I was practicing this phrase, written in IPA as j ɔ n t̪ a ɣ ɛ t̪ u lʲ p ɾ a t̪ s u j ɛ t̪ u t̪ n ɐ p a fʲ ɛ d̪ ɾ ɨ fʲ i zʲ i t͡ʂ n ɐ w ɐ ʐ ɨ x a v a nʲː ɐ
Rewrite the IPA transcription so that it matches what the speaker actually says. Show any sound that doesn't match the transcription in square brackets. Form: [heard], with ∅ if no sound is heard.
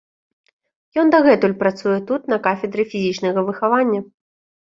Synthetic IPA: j ɔ n [d̪] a ɣ ɛ t̪ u lʲ p ɾ a t̪ s u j ɛ t̪ u t̪ n ɐ [k] a fʲ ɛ d̪ ɾ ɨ fʲ i zʲ i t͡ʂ n ɐ [ɣ] ɐ [v] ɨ x a v a nʲː ɐ